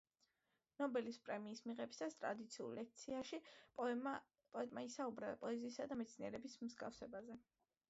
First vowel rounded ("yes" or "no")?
yes